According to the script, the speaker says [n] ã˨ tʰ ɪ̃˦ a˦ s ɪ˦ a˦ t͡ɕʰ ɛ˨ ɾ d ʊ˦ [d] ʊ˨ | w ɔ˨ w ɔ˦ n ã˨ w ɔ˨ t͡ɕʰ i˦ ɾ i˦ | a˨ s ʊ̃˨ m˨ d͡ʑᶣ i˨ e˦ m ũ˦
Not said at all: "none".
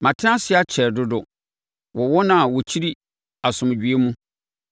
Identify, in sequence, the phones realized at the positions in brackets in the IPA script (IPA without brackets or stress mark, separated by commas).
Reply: m, d